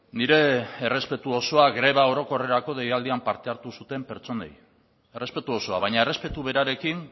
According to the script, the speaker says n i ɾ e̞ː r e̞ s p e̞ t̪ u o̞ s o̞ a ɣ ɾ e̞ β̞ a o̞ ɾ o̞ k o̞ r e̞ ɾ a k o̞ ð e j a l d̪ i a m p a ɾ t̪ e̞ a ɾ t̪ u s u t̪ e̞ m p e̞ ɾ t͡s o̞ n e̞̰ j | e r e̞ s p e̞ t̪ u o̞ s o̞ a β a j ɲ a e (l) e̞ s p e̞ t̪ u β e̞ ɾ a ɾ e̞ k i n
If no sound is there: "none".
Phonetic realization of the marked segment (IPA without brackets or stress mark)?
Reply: r